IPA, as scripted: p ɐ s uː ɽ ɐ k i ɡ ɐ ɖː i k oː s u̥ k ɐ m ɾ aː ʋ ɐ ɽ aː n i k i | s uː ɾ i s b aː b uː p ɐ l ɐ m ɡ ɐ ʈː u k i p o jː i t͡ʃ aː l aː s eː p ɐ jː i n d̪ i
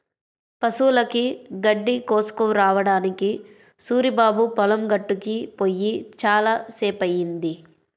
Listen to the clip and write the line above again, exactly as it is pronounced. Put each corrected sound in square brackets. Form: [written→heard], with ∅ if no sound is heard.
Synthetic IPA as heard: p ɐ s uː [ɽ→l] ɐ k i ɡ ɐ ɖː i k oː s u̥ k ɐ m ɾ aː ʋ ɐ ɽ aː n i k i | s uː ɾ i [s→∅] b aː b [uː→u] p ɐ l ɐ m ɡ ɐ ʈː u k i p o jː i t͡ʃ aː l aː s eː p ɐ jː i n d̪ i

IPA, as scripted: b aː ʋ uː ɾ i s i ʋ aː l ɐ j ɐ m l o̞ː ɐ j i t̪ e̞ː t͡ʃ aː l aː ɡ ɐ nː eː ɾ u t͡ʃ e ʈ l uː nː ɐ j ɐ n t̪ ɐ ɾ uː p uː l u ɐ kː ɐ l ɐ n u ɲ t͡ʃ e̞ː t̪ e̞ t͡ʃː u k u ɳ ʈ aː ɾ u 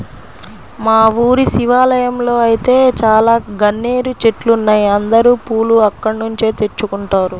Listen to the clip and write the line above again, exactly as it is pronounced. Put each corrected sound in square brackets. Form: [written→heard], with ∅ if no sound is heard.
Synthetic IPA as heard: [b→m] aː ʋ uː ɾ i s i ʋ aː l ɐ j ɐ m l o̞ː ɐ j i t̪ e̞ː t͡ʃ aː l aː ɡ ɐ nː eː ɾ u t͡ʃ e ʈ l [uː→u] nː ɐ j ɐ n [t̪→d̪] ɐ ɾ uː p uː l u ɐ kː ɐ [l→ɽ] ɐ n u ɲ t͡ʃ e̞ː t̪ e̞ t͡ʃː u k u ɳ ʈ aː ɾ u

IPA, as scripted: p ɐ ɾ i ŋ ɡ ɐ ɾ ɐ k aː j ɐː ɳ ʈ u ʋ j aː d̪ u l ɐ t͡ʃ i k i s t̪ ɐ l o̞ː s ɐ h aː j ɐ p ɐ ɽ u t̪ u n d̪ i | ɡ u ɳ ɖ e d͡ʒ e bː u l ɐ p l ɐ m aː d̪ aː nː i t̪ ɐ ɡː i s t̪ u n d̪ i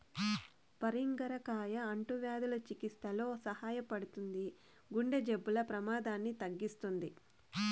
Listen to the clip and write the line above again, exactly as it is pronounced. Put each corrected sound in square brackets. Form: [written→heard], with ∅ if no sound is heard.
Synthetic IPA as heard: p ɐ ɾ i ŋ ɡ ɐ ɾ ɐ k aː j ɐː ɳ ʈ u ʋ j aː d̪ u l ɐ t͡ʃ i k i s t̪ ɐ l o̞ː s ɐ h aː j ɐ p ɐ ɽ u t̪ u n d̪ i | ɡ u ɳ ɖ e d͡ʒ e bː u l ɐ p [l→ɾ] ɐ m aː d̪ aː nː i t̪ ɐ ɡː i s t̪ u n d̪ i

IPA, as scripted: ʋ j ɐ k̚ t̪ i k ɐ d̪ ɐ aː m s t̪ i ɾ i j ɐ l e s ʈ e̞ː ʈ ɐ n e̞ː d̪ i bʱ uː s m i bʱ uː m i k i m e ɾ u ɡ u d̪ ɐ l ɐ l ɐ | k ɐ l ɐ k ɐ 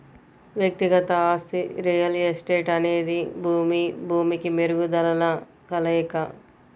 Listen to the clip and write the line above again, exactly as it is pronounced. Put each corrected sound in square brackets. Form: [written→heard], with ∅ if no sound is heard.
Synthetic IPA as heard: ʋ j ɐ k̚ t̪ i [k→ɡ] ɐ [d̪→t̪] ɐ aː [m→∅] s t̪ i ɾ i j ɐ l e s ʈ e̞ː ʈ ɐ n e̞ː d̪ i bʱ uː [s→∅] m i bʱ uː m i k i m e ɾ u ɡ u d̪ ɐ l ɐ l ɐ | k ɐ l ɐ k ɐ

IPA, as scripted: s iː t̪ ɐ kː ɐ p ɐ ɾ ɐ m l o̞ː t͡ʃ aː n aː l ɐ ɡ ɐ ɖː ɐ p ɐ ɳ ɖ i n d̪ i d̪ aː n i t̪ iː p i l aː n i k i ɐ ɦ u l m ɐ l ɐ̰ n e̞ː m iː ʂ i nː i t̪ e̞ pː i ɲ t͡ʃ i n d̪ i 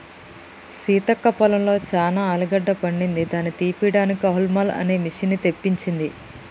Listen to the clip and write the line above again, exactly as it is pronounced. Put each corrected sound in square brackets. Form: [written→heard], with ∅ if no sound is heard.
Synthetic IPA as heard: s iː t̪ ɐ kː ɐ p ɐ [ɾ→l] ɐ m l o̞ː t͡ʃ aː n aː l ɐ ɡ ɐ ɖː ɐ p ɐ ɳ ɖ i n d̪ i d̪ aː n i t̪ iː p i [l→ɽ] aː n i k i ɐ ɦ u l m ɐ l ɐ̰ n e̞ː m [iː→i] ʂ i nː i t̪ e̞ pː i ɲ t͡ʃ i n d̪ i

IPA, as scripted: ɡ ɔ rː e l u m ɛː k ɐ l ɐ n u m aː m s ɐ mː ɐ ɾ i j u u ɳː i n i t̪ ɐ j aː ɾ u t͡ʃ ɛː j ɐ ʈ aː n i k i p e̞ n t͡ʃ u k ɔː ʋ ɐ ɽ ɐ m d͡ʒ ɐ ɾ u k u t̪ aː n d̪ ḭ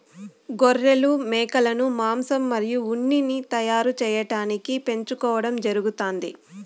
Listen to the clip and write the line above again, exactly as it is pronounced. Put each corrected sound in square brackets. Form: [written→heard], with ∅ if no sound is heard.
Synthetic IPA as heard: ɡ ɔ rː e l u m ɛː k ɐ l ɐ n u m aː m s ɐ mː ɐ ɾ i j u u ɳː i n i t̪ ɐ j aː ɾ u t͡ʃ ɛː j ɐ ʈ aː n i k i p e̞ [n→ɲ] t͡ʃ u k ɔː ʋ ɐ ɽ ɐ m d͡ʒ ɐ ɾ u [k→ɡ] u t̪ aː n d̪ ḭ

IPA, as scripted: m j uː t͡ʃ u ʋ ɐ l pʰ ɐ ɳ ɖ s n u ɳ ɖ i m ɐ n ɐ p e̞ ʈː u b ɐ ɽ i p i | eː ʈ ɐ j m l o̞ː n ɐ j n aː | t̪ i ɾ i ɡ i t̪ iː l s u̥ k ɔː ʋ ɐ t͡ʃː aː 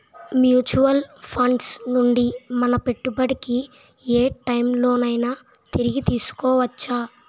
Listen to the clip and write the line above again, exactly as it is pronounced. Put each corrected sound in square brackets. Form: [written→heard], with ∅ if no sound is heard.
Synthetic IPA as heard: m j uː t͡ʃ u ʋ ɐ l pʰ ɐ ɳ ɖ s n u ɳ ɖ i m ɐ n ɐ p e̞ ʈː u b ɐ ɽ i [p→k] i | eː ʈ ɐ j m l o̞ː n ɐ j n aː | t̪ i ɾ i ɡ i t̪ iː [l→∅] s u̥ k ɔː ʋ ɐ t͡ʃː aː

